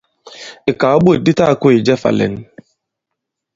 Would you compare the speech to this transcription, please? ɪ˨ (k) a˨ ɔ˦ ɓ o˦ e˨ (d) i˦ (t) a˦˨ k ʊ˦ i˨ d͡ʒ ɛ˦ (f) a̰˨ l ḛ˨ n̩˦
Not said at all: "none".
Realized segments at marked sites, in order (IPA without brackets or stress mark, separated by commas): k, d, t, f